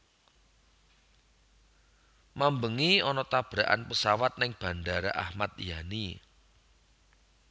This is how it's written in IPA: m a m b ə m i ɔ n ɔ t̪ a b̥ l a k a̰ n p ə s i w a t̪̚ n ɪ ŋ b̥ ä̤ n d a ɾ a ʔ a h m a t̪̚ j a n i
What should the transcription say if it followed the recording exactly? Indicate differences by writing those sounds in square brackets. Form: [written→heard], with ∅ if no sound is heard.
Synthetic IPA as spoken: m a m b ə [m→ŋ] i ɔ n ɔ t̪ a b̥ [l→ɾ] a [k→ʔ] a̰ n p ə s [i→a] w a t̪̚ n ɪ ŋ b̥ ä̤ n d a ɾ a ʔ a h m a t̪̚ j a n i